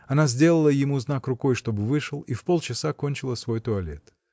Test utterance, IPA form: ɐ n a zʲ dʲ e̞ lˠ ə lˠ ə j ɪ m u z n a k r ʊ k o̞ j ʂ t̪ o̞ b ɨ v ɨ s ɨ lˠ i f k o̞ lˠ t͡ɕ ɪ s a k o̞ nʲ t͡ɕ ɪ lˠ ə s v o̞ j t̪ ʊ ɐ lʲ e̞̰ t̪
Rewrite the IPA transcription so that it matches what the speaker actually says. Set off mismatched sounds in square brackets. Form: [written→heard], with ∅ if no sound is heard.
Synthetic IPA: ɐ n a zʲ dʲ e̞ lˠ ə lˠ ə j ɪ m u z n a k r ʊ k o̞ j ʂ t̪ o̞ b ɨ v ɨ [s→ʂ] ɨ lˠ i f [k→p] o̞ lˠ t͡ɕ ɪ s a k o̞ nʲ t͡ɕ ɪ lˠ ə s v o̞ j t̪ ʊ ɐ lʲ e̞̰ t̪